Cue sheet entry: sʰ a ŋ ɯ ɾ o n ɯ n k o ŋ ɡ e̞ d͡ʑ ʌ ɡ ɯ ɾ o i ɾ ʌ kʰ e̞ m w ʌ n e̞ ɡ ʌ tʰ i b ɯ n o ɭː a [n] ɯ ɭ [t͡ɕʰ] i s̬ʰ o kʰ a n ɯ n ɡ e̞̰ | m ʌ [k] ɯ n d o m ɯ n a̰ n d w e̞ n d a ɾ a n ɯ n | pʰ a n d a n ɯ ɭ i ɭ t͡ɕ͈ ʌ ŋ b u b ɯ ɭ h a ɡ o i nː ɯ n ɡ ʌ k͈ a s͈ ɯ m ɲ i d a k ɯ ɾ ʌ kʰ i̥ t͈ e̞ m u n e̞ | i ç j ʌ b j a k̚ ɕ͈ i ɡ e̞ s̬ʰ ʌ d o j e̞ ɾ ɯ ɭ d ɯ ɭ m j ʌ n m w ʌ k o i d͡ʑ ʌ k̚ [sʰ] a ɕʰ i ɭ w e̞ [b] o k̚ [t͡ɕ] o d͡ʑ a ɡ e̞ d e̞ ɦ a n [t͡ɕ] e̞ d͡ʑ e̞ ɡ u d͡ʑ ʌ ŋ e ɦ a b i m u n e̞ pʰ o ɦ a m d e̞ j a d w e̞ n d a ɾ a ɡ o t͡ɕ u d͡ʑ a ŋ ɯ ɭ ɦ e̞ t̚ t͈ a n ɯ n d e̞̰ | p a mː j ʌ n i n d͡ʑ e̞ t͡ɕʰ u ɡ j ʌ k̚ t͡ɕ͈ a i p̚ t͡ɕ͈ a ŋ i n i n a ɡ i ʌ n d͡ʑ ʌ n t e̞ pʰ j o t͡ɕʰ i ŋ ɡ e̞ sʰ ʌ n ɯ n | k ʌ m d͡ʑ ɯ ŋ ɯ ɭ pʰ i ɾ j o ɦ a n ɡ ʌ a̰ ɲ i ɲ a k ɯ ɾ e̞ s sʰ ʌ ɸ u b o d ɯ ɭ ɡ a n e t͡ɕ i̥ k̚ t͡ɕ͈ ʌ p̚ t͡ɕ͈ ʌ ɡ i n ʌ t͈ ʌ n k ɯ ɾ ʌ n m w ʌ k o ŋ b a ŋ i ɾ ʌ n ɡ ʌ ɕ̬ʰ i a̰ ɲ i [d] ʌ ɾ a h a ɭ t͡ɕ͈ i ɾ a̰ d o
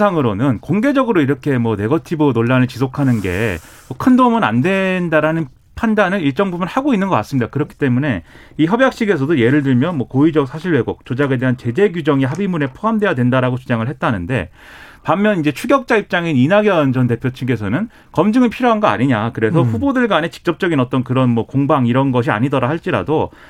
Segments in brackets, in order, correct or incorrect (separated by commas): correct, incorrect, incorrect, correct, incorrect, correct, correct, correct